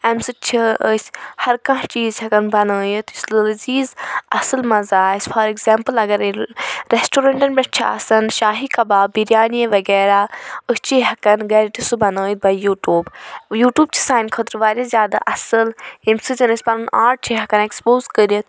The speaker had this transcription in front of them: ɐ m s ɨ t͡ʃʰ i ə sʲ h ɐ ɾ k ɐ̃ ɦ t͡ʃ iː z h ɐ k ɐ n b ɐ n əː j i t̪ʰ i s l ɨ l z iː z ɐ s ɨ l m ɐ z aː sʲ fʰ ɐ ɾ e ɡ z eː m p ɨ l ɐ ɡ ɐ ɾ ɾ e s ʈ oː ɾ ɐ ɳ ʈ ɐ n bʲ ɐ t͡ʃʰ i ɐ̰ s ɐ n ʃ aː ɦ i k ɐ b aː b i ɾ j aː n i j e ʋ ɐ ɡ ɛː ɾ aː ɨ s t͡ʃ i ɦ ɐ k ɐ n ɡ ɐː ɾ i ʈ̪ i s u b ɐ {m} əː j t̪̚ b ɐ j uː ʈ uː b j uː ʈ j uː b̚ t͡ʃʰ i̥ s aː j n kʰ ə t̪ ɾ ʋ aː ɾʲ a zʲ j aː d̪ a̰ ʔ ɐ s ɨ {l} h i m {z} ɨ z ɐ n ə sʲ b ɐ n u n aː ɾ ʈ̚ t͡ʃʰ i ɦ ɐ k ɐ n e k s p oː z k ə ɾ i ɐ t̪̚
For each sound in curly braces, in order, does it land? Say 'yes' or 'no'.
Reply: no, yes, no

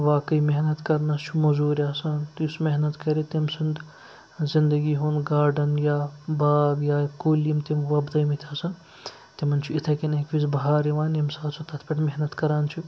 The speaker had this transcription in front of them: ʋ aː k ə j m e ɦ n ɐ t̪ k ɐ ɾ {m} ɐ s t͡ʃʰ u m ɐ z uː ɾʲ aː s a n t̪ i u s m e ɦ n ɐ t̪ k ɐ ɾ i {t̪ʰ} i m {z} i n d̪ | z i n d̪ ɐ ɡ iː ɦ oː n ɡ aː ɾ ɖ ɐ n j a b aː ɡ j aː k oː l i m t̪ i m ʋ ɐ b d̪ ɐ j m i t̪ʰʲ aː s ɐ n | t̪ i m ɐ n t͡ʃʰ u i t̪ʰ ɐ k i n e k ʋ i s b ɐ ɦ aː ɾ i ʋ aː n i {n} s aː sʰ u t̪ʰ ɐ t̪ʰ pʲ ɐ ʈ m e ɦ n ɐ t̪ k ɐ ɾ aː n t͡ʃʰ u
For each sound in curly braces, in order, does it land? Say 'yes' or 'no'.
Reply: no, no, no, no

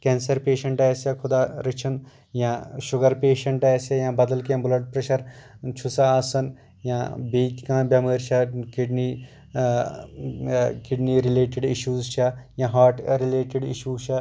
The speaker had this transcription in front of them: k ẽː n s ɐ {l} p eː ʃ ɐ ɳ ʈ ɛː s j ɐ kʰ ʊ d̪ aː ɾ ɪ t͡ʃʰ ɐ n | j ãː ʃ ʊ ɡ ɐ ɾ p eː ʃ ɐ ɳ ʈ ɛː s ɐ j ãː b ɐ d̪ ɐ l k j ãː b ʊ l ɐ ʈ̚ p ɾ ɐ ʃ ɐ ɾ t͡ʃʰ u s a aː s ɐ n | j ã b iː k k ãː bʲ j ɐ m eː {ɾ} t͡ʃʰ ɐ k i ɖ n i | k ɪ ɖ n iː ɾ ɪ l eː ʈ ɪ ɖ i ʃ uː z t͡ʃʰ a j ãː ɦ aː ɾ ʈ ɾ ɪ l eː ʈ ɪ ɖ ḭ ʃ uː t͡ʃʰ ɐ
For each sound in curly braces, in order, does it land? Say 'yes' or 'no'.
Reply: no, yes

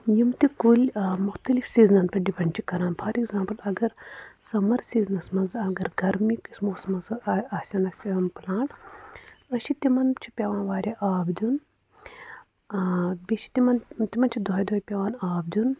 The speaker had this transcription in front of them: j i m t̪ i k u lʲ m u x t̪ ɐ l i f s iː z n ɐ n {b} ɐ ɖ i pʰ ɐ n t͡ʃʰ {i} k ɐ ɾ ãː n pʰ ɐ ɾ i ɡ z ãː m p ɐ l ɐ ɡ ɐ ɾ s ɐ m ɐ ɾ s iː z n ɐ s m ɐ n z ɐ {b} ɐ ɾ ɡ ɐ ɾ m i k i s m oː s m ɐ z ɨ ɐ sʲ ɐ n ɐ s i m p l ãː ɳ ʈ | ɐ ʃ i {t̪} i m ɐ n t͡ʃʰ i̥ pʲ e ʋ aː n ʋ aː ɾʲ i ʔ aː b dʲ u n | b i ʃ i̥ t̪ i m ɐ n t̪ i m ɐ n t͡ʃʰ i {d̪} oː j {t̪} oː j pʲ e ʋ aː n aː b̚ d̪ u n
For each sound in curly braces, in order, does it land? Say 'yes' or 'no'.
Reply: no, yes, no, yes, yes, no

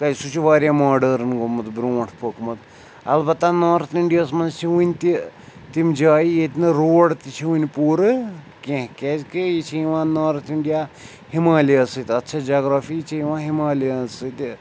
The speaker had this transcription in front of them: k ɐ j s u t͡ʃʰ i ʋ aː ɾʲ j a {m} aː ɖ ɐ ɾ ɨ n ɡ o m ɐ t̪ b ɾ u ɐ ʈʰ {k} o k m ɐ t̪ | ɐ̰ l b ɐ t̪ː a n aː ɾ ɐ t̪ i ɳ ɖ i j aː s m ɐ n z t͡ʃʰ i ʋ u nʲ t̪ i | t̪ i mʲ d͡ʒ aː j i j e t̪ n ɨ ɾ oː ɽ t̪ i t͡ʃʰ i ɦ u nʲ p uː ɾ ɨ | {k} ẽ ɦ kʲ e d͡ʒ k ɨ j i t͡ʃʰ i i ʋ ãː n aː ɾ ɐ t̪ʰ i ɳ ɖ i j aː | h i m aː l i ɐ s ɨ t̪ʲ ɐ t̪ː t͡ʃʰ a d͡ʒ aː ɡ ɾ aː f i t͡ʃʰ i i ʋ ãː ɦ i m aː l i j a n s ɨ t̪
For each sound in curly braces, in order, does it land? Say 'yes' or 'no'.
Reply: yes, no, yes

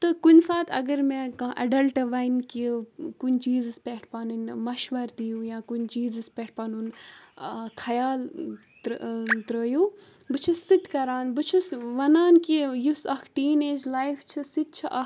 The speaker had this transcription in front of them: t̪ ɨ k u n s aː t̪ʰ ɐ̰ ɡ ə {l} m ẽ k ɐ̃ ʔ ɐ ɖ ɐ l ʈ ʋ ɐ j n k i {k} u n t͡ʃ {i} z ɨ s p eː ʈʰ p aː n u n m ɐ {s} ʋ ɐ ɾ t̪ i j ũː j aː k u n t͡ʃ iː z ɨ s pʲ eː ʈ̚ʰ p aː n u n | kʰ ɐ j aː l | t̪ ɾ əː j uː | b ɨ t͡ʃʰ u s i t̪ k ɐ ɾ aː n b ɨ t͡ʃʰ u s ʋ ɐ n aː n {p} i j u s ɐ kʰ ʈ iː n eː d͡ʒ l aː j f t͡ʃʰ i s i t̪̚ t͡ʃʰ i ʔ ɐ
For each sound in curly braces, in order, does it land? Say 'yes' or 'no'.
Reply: no, yes, no, no, no

